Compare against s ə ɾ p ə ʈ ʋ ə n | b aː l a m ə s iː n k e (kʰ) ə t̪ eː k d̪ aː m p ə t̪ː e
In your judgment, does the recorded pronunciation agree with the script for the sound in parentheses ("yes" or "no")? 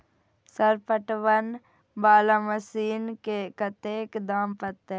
no